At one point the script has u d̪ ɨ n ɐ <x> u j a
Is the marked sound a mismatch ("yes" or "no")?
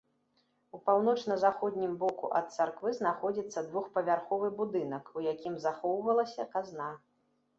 yes